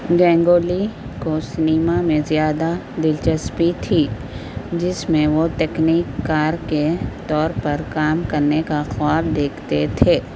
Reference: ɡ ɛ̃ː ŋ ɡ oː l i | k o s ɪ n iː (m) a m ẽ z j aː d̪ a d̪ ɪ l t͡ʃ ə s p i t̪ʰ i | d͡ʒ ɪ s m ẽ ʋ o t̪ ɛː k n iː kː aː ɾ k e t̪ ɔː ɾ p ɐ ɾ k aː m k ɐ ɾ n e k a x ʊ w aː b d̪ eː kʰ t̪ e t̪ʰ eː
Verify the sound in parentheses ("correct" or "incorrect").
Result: correct